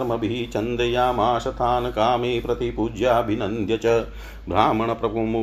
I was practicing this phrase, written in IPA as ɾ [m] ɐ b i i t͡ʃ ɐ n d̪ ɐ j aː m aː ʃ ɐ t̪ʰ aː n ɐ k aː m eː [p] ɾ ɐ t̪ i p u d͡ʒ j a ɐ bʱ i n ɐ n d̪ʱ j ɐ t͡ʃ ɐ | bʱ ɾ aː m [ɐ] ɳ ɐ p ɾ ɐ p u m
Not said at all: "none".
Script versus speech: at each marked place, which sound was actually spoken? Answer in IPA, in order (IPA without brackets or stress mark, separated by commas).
m, p, ɐ